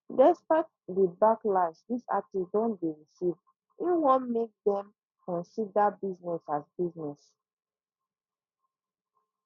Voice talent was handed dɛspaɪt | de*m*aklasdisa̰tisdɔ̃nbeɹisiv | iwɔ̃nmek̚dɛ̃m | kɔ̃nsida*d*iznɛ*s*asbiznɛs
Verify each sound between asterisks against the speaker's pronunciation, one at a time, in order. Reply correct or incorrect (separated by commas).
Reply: incorrect, incorrect, correct